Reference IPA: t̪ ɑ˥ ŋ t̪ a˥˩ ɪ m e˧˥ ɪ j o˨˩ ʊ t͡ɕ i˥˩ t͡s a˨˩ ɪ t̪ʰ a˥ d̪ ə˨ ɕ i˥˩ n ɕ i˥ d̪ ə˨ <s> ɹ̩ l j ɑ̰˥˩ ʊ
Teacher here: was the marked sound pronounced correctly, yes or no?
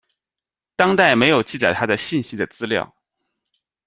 no